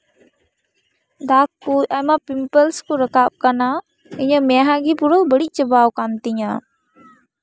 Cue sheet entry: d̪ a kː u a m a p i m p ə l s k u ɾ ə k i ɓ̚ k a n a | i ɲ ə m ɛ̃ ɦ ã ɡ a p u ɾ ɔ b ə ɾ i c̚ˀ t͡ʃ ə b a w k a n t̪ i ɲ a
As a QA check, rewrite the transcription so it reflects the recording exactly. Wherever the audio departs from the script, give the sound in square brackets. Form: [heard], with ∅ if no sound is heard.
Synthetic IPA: d̪ a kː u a m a p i m p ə l s k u ɾ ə k [a] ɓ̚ k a n a | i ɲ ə m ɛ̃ ɦ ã ɡ [i] p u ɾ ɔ b ə [ɽ] i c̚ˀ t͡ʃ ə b a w k a n t̪ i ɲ a